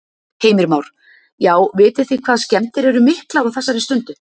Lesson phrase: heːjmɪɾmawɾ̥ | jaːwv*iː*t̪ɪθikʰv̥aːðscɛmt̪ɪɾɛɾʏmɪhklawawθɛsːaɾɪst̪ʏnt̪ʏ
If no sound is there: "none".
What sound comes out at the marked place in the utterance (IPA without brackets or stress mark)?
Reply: ɪː